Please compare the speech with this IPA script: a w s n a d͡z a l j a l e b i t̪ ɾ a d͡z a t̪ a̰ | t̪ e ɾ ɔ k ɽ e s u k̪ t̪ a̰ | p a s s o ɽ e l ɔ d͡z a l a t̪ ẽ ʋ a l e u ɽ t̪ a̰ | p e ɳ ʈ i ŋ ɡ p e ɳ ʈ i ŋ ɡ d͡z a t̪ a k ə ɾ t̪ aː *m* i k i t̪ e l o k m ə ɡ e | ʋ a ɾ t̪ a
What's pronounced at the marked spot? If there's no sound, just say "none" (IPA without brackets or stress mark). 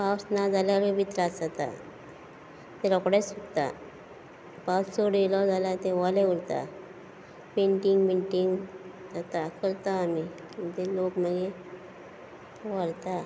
m